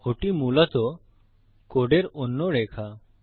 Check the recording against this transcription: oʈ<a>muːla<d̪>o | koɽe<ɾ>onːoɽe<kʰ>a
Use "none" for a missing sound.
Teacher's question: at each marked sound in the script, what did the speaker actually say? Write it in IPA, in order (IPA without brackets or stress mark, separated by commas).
i, t̪, ɾ, kʰ